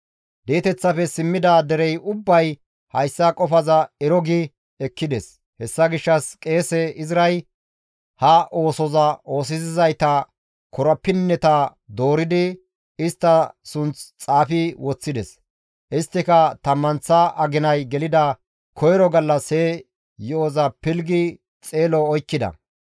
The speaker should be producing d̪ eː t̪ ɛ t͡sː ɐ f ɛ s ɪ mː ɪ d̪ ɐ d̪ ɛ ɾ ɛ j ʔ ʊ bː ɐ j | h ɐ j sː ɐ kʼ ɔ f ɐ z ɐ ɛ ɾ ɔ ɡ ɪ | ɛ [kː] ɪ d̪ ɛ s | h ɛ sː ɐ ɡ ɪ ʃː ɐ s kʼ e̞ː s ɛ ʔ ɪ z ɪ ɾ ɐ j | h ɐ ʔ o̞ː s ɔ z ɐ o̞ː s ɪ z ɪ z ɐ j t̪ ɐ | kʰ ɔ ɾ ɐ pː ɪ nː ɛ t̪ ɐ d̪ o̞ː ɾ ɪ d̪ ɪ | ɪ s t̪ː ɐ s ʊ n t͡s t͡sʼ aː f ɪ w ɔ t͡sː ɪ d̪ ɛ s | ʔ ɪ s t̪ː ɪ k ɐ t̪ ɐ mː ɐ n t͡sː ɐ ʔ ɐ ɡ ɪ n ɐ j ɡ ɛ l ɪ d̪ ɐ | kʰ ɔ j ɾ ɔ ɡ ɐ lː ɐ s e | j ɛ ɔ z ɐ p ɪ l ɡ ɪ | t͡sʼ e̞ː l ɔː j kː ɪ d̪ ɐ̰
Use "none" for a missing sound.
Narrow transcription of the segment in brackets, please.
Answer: kː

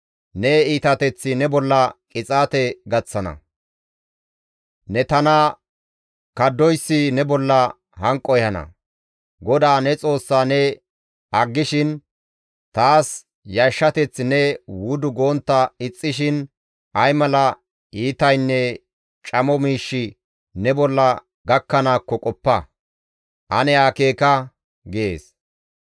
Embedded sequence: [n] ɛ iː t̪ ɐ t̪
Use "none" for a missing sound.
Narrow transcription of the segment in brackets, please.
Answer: n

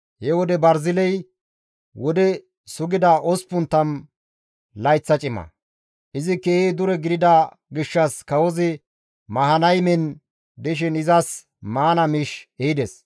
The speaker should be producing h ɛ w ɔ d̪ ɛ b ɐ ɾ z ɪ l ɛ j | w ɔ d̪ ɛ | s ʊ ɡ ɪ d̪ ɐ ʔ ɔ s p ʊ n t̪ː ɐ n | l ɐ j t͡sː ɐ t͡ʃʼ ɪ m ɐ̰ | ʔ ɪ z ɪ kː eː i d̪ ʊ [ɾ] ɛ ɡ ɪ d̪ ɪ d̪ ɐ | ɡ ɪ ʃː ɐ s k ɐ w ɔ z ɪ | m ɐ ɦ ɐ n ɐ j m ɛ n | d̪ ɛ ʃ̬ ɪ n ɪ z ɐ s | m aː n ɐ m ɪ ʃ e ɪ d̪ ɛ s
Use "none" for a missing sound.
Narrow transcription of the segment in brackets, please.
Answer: ɾ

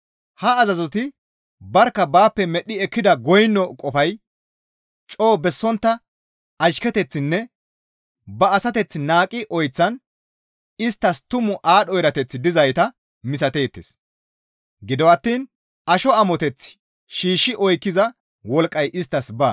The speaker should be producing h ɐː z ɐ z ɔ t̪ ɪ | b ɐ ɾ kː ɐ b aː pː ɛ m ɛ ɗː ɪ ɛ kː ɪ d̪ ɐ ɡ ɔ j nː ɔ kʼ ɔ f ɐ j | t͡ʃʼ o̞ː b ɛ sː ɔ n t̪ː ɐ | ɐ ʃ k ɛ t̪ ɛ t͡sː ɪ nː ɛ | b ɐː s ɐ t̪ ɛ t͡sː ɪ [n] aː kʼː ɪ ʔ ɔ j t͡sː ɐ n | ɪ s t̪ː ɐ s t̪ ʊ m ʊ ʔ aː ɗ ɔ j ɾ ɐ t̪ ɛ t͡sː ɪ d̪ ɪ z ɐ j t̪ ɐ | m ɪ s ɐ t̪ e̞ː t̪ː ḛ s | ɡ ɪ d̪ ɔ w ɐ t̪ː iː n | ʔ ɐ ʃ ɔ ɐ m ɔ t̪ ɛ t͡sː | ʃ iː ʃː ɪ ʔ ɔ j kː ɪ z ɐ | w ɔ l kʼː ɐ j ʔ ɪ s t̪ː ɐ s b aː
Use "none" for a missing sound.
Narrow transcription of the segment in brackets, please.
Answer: n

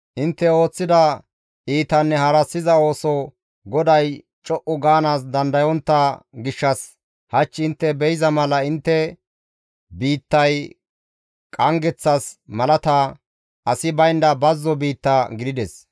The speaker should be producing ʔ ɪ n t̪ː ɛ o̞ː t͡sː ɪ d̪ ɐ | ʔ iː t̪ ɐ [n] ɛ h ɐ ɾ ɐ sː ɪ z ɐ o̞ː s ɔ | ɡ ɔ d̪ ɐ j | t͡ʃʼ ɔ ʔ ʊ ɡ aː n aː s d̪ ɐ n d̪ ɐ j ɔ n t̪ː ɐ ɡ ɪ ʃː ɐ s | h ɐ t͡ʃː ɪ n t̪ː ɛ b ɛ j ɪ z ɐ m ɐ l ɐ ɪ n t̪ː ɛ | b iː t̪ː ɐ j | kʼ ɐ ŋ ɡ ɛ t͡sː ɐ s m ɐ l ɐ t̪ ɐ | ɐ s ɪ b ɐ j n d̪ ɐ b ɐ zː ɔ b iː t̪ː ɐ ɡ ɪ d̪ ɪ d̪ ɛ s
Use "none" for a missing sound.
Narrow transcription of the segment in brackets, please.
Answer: nː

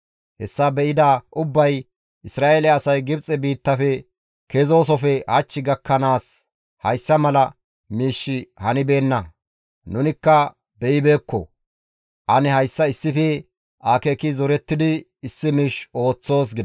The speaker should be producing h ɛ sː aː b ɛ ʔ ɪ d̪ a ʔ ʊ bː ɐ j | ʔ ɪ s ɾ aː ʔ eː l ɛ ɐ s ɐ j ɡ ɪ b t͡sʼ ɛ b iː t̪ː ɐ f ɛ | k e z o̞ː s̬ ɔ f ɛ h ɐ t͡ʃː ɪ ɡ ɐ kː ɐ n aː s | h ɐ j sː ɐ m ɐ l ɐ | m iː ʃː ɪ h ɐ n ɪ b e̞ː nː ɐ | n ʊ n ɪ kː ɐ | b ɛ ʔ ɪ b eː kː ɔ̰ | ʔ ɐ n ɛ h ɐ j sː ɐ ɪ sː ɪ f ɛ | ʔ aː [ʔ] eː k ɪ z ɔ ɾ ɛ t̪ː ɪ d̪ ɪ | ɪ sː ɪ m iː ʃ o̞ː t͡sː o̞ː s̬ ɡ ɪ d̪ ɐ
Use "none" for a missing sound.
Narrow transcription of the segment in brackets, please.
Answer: k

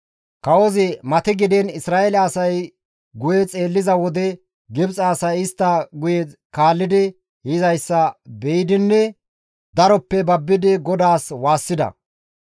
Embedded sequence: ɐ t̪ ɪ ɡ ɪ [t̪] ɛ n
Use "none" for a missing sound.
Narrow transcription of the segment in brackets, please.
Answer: d̪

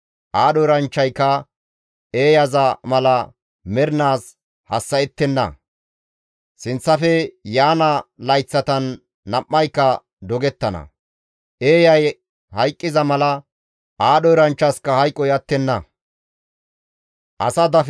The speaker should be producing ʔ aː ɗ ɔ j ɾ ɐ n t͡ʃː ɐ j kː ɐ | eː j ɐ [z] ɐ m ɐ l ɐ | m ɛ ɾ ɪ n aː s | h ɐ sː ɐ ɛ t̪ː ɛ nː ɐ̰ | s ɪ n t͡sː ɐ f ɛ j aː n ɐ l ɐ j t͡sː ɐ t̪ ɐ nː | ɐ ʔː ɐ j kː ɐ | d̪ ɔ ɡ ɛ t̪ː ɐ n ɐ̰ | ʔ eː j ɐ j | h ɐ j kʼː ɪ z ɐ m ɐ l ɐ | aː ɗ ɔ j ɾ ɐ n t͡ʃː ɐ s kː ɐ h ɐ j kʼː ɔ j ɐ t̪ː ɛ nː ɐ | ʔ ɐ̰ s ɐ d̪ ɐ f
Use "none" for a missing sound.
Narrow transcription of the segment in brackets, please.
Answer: z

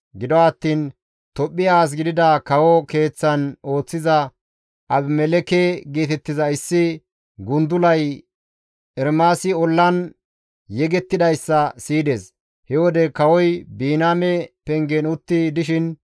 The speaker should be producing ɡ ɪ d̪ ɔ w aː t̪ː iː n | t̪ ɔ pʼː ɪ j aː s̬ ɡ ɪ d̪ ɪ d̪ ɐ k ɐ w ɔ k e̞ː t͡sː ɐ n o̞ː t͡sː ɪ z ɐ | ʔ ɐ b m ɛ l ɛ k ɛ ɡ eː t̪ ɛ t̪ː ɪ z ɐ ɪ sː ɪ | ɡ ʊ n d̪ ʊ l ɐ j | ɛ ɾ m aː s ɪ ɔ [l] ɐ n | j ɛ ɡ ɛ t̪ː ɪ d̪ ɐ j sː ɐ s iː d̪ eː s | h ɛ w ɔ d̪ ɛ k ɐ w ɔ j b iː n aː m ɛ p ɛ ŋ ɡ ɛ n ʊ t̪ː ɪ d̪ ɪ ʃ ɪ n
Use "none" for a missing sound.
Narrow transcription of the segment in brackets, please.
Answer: lː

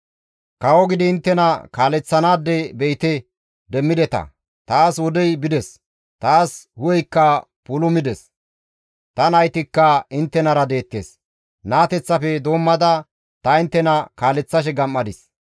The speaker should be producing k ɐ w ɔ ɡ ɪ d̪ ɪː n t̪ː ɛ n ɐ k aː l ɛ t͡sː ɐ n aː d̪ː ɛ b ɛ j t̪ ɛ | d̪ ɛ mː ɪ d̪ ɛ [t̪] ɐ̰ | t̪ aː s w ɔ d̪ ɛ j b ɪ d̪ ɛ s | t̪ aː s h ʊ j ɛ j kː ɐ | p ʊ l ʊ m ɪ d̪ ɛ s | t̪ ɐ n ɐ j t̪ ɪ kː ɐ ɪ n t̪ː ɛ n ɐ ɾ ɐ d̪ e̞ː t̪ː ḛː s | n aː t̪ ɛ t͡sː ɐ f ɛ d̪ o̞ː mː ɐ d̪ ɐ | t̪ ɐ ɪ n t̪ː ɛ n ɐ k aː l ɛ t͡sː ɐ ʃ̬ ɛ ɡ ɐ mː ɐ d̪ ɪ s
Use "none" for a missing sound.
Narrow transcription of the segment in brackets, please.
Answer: t̪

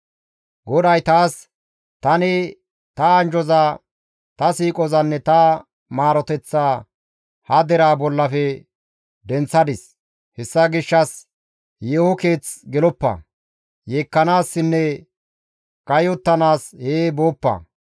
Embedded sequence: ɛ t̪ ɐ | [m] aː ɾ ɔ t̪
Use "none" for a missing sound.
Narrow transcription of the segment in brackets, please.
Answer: m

